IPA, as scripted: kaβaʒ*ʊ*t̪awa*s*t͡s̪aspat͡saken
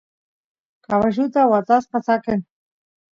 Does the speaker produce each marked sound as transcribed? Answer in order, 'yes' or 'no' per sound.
no, no

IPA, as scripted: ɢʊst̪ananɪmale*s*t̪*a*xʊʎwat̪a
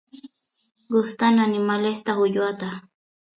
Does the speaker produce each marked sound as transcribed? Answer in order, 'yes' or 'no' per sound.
yes, yes

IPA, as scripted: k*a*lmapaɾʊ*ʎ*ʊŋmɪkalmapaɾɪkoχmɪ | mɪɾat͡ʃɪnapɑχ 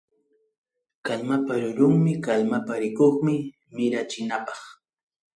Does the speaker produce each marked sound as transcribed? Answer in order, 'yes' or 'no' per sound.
yes, no

